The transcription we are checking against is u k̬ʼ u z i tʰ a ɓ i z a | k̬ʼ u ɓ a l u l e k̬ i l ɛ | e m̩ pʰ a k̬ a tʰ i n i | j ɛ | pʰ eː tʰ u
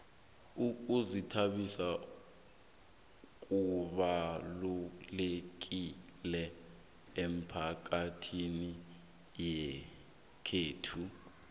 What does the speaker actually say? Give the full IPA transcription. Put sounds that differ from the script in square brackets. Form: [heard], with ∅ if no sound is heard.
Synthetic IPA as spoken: u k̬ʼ u z i tʰ a ɓ i [s] a | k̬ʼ u ɓ a l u l e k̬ i l ɛ | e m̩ pʰ a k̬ a tʰ i n i | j ɛ | [kʰ] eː tʰ u

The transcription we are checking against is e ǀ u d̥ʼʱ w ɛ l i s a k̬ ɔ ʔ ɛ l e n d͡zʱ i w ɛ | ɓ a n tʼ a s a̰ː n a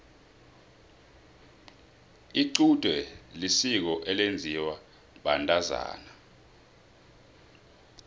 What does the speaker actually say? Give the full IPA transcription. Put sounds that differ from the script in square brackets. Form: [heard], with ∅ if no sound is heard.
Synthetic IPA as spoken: [i] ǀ u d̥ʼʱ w ɛ l i s [i] k̬ ɔ ʔ ɛ l e n d͡zʱ i w [a] | ɓ a n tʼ a [z] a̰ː n a

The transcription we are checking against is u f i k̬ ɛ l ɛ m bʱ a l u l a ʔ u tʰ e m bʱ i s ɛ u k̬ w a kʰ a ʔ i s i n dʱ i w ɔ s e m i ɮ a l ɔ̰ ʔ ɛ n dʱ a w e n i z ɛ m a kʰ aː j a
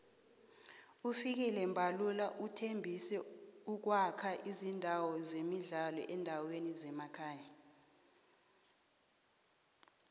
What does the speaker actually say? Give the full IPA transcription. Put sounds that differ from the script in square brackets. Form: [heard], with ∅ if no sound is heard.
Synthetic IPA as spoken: u f i k̬ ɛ l ɛ m bʱ a l u l a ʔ u tʰ e m bʱ i s ɛ u k̬ w a kʰ a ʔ i [z] i n dʱ [a] w ɔ [z] e m i ɮ a l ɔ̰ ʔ ɛ n dʱ a w e n i z ɛ m a kʰ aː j a

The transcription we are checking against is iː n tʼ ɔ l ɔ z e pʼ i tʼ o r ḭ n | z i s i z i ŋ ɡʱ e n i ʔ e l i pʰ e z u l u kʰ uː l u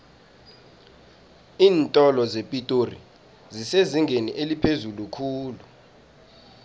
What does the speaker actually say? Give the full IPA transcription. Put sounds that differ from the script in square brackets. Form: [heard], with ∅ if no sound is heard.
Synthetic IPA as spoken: iː n tʼ ɔ l ɔ z e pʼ i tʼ o r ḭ [∅] | z i s [e] z i ŋ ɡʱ e n i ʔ e l i pʰ e z u l u kʰ uː l u

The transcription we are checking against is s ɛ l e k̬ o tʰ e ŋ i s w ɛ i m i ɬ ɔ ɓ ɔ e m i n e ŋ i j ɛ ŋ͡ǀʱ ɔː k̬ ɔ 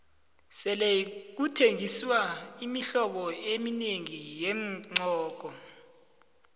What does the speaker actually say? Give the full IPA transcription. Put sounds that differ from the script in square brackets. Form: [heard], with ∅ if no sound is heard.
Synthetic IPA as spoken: s ɛ l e k̬ [u] tʰ e ŋ i s w [a] i m i ɬ ɔ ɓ ɔ e m i n e ŋ i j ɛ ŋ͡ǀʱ ɔː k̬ ɔ

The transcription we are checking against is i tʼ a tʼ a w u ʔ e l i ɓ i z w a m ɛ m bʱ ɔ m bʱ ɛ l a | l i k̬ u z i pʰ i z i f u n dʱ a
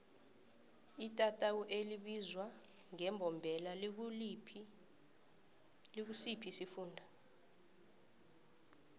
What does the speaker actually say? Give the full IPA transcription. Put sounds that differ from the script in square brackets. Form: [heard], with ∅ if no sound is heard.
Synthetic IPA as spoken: i tʼ a tʼ a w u ʔ e l i ɓ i z w a [ŋ] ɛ m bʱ ɔ m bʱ ɛ l a | l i k̬ u [s] i pʰ i [s] i f [uː] n dʱ a

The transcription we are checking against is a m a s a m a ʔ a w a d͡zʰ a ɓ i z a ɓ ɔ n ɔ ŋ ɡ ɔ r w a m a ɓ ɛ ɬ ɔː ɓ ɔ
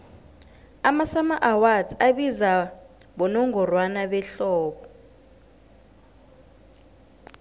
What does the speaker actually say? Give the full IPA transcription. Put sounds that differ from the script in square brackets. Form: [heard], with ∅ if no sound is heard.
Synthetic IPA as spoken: a m a s a m a ʔ a w a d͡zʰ a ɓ i z a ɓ ɔ n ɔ ŋ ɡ ɔ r w a [n] a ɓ ɛ ɬ ɔː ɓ ɔ

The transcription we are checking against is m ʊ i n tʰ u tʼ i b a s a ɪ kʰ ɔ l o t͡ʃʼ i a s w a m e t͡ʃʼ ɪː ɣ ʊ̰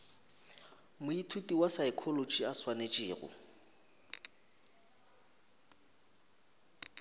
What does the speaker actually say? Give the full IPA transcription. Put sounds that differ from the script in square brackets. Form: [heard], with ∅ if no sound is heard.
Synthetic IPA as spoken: m ʊ i [∅] tʰ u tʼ i [w] a s a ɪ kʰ ɔ l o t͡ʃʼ i a s w a [n] e t͡ʃʼ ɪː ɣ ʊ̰

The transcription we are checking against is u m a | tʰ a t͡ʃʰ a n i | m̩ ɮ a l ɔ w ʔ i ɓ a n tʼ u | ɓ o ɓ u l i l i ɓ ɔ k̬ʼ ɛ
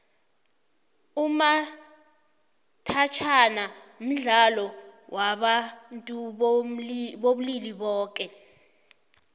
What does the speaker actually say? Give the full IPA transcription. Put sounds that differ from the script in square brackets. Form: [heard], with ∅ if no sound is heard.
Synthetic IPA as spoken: u m a | tʰ a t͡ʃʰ a n [a] | m̩ ɮ a l ɔ w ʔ [a] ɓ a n tʼ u | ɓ o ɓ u l i l i ɓ [ɔː] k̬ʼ ɛ

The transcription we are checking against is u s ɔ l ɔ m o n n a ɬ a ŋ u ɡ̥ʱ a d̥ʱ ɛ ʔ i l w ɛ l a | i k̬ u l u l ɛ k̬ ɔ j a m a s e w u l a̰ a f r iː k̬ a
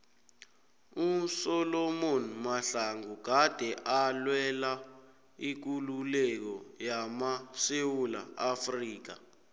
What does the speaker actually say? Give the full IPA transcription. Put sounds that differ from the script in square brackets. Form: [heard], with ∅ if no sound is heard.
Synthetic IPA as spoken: u s ɔ l ɔ m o n [m] a ɬ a ŋ u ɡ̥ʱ a d̥ʱ ɛ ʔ [a] l w ɛ l a | i k̬ u l u l ɛ k̬ ɔ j a m a s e w u l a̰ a f r iː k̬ a

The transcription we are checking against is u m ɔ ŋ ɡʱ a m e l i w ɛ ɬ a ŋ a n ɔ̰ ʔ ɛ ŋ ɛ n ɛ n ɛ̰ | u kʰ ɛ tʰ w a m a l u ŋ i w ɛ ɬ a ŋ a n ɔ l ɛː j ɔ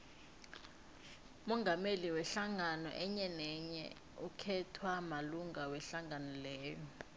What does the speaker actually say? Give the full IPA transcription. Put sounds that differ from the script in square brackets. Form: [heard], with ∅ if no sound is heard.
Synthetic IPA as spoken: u m ɔ ŋ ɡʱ a m e l i w ɛ ɬ a ŋ a n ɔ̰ ʔ ɛ [ɲ] ɛ n ɛ [ɲ] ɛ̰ | u kʰ ɛ tʰ w a m a l u ŋ [a] w ɛ ɬ a ŋ a n ɔ l ɛː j ɔ

